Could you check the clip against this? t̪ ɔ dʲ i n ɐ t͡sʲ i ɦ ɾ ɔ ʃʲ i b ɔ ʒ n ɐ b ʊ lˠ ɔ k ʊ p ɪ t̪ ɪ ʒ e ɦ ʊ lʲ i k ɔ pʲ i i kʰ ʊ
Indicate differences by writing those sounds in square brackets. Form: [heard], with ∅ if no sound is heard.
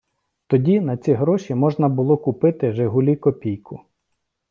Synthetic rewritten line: t̪ ɔ dʲ i n ɐ t͡sʲ i ɦ ɾ ɔ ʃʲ i [m] ɔ ʒ n ɐ b ʊ lˠ ɔ k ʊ p ɪ t̪ ɪ ʒ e ɦ ʊ lʲ i k ɔ pʲ i [j] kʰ ʊ

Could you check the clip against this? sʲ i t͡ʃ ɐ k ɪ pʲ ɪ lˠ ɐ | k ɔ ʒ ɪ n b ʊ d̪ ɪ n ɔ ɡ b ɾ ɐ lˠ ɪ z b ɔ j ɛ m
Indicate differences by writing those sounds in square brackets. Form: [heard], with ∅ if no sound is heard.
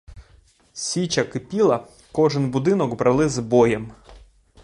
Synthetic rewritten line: sʲ i t͡ʃ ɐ k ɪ pʲ [i] lˠ ɐ | k ɔ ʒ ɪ n b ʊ d̪ ɪ n ɔ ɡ b ɾ ɐ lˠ ɪ z b ɔ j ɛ m

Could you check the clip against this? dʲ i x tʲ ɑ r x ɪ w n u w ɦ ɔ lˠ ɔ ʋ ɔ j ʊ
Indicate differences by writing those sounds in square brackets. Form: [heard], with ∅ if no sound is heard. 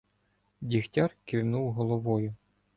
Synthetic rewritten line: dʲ i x tʲ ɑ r [k] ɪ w n u w ɦ ɔ lˠ ɔ ʋ ɔ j ʊ

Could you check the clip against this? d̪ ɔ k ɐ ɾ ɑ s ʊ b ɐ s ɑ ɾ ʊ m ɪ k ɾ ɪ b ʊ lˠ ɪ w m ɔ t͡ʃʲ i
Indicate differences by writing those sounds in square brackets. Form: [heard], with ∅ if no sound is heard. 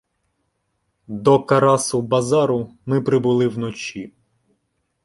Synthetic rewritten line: d̪ ɔ k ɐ ɾ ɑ s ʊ b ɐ [z] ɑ ɾ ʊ m ɪ [p] ɾ ɪ b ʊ lˠ ɪ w [n] ɔ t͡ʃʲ i

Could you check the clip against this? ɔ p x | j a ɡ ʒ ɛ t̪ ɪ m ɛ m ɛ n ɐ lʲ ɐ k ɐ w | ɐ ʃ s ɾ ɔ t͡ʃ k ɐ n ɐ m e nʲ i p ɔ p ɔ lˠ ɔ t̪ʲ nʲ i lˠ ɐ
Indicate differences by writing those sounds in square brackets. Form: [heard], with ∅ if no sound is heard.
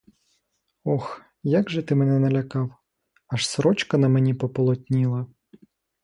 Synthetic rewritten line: ɔ [∅] x | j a ɡ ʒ ɛ t̪ ɪ m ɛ [n] ɛ n ɐ lʲ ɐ k [ɑ] w | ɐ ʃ s ɾ ɔ t͡ʃ k ɐ n ɐ m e nʲ i p ɔ p ɔ lˠ ɔ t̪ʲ nʲ i lˠ ɐ

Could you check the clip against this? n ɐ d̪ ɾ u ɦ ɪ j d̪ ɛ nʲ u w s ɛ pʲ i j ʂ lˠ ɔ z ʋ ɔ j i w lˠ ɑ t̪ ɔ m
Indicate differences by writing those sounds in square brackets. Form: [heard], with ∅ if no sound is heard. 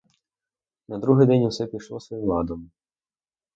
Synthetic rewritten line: n ɐ d̪ ɾ u ɦ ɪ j d̪ ɛ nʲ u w s ɛ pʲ i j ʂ lˠ ɔ [s] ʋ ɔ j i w lˠ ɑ [d̪] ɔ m

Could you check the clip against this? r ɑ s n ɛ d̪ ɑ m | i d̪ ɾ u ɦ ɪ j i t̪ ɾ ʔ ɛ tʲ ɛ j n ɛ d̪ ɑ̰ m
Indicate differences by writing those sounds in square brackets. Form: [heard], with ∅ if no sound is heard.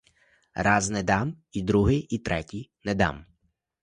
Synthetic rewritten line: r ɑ [z] n ɛ d̪ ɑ m | i d̪ ɾ u ɦ ɪ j i t̪ ɾ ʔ ɛ tʲ [i] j n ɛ d̪ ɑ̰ m

